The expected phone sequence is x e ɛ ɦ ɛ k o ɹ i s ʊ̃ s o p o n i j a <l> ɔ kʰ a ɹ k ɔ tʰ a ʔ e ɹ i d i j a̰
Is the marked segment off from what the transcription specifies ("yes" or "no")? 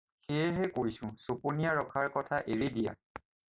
yes